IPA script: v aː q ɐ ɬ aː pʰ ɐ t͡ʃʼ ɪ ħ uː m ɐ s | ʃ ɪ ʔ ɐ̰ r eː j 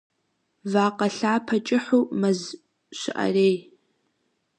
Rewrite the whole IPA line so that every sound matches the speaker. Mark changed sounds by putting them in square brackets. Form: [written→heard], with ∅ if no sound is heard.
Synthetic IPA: v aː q ɐ ɬ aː pʰ ɐ t͡ʃʼ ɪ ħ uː m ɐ [s→z] | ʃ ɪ ʔ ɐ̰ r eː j